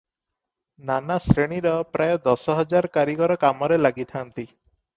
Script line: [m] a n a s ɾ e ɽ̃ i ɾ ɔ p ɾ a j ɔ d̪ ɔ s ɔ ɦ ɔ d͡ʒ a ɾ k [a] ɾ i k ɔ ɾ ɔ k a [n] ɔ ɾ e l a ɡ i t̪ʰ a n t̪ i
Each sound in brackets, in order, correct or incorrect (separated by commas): incorrect, correct, incorrect